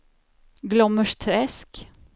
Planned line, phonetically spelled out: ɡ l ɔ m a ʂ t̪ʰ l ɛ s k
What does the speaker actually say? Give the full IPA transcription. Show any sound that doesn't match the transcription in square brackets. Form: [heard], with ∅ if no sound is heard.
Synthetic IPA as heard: ɡ l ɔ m [ə] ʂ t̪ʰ [ɾ] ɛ s k

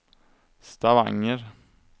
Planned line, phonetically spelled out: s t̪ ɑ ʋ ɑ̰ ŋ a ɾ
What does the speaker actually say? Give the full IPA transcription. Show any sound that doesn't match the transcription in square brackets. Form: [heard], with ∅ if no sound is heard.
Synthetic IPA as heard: s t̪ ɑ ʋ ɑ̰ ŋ [ə] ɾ

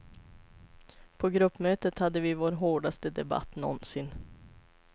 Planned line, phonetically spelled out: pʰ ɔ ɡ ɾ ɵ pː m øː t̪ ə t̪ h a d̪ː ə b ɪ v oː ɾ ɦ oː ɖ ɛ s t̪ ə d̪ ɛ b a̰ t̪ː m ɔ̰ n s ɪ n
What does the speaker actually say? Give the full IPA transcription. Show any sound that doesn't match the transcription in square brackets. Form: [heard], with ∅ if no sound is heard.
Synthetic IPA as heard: pʰ ɔ ɡ ɾ ɵ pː m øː t̪ ə t̪ h a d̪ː ə [v] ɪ v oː ɾ ɦ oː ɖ [a] s t̪ ə d̪ ɛ b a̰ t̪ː [n] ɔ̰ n s ɪ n

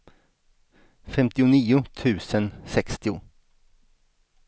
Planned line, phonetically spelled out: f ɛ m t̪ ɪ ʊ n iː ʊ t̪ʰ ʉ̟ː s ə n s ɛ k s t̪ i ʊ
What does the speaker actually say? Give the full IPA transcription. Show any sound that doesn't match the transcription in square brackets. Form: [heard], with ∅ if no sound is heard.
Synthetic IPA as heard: f ɛ m t̪ ɪ ʊ n iː ʊ t̪ʰ ʉ̟ː s ə n s ɛ k s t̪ [ɪ] ʊ

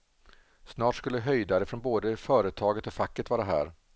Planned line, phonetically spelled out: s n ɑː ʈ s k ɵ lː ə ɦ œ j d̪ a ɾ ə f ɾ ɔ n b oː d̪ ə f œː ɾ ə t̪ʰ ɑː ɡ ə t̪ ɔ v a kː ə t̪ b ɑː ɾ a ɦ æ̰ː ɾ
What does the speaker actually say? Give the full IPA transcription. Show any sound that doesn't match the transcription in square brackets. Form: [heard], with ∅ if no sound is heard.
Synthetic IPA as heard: s n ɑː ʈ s k ɵ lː ə ɦ œ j d̪ a ɾ ə f ɾ ɔ n b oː d̪ ə f œː ɾ ə t̪ʰ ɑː ɡ ə t̪ ɔ [f] a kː ə t̪ [v] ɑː ɾ a ɦ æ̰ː ɾ

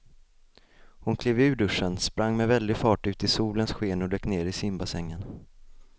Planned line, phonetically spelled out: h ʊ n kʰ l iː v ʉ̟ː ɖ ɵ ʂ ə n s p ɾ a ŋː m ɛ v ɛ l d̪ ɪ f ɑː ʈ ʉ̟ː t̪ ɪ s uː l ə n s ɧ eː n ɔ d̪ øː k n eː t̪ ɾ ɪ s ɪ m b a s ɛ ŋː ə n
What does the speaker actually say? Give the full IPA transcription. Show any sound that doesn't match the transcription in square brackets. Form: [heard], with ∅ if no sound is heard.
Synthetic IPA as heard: h ʊ n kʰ l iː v ʉ̟ː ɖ ɵ ʂ ə n s p ɾ a ŋː m ɛ v ɛ l d̪ ɪ f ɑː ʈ ʉ̟ː t̪ ɪ s uː l ə n s ɧ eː n ɔ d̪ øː k n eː [∅] ɾ ɪ s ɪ m b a s ɛ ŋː ə n

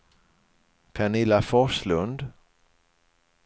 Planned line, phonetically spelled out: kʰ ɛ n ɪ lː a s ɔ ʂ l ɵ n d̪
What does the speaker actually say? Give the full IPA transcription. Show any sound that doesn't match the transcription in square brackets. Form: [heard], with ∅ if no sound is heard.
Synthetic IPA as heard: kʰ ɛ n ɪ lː a [f] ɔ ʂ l ɵ n d̪

